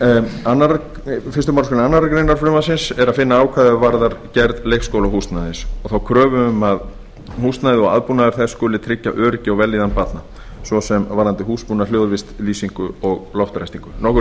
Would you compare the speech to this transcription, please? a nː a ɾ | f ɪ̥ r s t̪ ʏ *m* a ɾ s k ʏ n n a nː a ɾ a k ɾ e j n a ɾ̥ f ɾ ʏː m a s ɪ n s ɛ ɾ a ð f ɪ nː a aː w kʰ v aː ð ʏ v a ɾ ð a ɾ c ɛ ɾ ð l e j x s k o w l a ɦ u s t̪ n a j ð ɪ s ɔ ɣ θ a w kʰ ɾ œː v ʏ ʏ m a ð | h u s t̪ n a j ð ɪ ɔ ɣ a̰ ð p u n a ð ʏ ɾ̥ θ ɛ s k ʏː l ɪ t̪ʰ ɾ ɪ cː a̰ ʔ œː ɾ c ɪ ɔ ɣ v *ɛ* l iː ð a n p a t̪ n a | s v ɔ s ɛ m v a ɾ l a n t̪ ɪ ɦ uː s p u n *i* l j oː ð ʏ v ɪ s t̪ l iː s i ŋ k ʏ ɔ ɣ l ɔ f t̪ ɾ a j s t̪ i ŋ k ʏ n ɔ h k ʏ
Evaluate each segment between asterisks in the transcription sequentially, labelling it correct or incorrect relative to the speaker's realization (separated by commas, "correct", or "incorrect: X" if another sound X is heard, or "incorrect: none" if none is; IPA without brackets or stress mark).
correct, correct, incorrect: a